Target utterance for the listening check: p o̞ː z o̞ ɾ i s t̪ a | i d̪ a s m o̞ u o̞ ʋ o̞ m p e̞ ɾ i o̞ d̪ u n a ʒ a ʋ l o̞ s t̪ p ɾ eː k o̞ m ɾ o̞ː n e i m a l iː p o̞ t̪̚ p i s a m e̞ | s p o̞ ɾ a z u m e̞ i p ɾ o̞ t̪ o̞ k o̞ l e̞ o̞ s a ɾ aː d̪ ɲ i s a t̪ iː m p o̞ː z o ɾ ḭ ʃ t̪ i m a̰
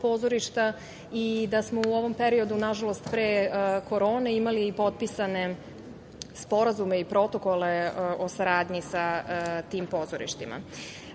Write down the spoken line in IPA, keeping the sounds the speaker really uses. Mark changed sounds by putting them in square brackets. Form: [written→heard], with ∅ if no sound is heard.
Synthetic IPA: p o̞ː z o̞ ɾ i [s→ʃ] t̪ a | i d̪ a s m o̞ u o̞ ʋ o̞ m p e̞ ɾ i o̞ d̪ u n a ʒ a [ʋ→∅] l o̞ s t̪ p ɾ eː k o̞ [m→∅] ɾ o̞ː n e i m a l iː p o̞ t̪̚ p i s a [m→n] e̞ | s p o̞ ɾ a z u m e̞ i p ɾ o̞ t̪ o̞ k o̞ l e̞ o̞ s a ɾ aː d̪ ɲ i s a t̪ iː m p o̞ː z o ɾ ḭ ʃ t̪ i m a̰